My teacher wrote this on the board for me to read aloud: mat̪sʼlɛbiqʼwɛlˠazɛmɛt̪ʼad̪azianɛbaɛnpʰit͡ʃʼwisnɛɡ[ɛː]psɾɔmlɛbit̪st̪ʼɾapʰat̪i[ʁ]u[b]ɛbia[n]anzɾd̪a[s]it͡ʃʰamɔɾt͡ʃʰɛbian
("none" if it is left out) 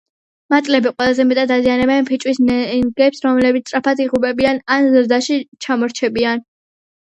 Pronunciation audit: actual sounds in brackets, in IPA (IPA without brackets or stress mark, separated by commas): ɛ, ʁ, b, n, ʃ